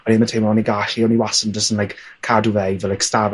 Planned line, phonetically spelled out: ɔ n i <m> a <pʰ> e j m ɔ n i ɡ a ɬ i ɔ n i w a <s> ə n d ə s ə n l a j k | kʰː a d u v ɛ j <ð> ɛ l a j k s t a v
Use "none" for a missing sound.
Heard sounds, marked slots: m, tʰ, s, v

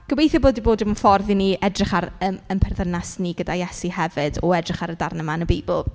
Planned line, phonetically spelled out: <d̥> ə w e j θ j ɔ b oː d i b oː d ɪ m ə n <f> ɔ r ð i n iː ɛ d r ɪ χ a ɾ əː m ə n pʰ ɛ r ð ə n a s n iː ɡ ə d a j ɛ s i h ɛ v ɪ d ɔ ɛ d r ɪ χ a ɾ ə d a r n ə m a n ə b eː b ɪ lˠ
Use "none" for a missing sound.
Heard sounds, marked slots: ɡ̥, f

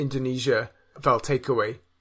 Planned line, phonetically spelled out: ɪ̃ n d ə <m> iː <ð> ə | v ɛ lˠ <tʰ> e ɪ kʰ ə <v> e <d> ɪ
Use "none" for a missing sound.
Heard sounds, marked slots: n, ʒ, tʰ, w, none

